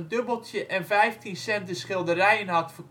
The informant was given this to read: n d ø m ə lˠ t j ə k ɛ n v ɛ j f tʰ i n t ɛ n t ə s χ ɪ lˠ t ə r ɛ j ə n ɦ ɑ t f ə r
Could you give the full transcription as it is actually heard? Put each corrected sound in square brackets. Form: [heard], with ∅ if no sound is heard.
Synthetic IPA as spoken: n d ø [b] ə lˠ t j ə [ʔ] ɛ n v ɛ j f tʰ i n [s] ɛ n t ə s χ ɪ lˠ [d] ə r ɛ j ə n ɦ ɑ t f ə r